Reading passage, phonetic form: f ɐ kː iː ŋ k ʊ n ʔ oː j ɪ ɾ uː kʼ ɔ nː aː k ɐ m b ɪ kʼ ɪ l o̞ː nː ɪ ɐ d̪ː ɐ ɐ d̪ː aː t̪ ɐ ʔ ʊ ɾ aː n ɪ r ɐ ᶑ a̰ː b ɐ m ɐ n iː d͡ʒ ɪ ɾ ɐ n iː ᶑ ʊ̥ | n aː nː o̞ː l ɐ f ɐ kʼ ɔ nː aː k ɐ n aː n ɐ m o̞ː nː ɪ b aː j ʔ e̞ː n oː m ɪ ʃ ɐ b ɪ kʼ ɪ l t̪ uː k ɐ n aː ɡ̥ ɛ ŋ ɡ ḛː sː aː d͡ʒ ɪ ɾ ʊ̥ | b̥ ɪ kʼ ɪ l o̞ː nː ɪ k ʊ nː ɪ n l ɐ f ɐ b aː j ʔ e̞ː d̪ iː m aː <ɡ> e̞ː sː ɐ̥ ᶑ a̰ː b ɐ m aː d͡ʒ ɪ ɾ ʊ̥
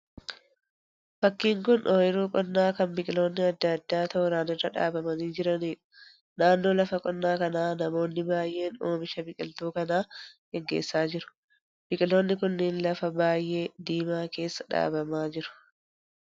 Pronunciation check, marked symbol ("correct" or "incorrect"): incorrect